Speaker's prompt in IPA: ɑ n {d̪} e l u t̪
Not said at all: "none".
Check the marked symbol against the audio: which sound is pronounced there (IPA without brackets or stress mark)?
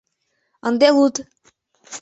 d̪